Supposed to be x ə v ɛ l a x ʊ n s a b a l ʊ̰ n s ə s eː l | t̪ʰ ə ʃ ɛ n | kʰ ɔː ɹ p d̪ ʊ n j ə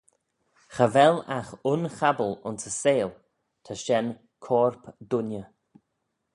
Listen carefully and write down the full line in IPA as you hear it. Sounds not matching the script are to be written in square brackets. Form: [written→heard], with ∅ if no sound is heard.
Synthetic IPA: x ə v ɛ l a x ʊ n [s→x] a b [a→ə] l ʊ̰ n s ə s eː l | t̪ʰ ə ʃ ɛ n | kʰ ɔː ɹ p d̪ ʊ n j ə